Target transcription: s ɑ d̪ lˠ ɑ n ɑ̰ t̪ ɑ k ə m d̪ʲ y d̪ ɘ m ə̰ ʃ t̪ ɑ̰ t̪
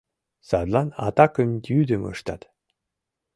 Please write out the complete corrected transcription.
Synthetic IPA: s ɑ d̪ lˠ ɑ n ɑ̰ t̪ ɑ k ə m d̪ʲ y d̪ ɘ m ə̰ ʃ t̪ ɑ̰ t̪